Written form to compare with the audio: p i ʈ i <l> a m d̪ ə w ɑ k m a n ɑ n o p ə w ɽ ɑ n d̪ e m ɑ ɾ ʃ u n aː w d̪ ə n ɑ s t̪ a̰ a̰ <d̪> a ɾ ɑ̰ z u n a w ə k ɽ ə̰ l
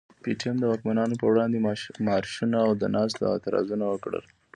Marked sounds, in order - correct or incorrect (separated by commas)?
incorrect, incorrect